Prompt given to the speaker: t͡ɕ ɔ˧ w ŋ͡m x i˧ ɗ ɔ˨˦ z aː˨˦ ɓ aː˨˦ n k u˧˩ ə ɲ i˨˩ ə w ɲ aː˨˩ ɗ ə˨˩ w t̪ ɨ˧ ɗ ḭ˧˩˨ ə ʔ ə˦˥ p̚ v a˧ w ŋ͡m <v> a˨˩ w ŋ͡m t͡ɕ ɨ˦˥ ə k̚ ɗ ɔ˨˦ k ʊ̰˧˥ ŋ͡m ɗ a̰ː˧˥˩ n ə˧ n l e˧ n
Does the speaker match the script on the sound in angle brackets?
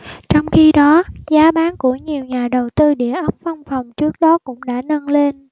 no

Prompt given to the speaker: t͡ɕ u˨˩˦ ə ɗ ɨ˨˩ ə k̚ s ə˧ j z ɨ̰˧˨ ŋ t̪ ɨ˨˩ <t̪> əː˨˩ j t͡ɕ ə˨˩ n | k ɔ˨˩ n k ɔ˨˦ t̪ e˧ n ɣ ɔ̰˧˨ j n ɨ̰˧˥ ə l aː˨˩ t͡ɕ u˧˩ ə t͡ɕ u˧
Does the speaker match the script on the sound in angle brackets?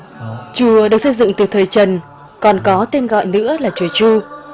no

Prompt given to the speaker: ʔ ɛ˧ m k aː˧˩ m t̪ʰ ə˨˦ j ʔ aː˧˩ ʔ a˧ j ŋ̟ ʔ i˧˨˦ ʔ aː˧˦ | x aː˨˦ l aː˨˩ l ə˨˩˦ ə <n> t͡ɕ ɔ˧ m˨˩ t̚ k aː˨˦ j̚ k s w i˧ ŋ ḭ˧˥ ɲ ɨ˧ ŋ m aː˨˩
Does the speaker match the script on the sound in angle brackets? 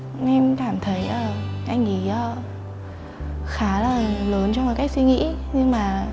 yes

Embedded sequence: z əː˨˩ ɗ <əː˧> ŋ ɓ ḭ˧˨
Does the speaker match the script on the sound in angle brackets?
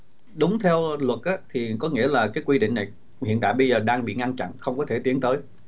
no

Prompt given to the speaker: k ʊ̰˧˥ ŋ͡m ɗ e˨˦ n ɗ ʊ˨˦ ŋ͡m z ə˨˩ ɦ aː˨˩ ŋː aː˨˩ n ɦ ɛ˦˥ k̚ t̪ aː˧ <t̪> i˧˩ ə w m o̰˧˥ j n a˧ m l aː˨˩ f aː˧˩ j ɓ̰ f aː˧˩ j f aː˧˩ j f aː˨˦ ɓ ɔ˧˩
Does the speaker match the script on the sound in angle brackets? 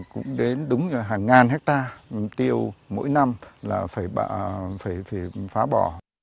yes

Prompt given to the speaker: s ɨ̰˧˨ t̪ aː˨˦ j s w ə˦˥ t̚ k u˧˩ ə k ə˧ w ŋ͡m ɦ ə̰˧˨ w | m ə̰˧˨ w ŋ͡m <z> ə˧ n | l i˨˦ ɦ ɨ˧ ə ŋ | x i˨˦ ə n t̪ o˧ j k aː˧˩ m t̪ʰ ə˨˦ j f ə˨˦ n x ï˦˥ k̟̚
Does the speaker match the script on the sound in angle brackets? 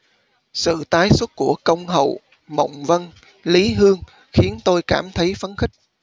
no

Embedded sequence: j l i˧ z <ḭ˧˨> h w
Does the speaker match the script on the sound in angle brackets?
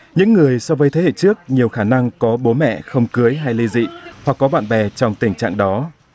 yes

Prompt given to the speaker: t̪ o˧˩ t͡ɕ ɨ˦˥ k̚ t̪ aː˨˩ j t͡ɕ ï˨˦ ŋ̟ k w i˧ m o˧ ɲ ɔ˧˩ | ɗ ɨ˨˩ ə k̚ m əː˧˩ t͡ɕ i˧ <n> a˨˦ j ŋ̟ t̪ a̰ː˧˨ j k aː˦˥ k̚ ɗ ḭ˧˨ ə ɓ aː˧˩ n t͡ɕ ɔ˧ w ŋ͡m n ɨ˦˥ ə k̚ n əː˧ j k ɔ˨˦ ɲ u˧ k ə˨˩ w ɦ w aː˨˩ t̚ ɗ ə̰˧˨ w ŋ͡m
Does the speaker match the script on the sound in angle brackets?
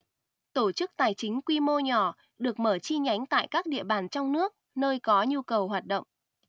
no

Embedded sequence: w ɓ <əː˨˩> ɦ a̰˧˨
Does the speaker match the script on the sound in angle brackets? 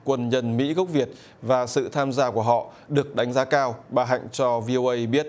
no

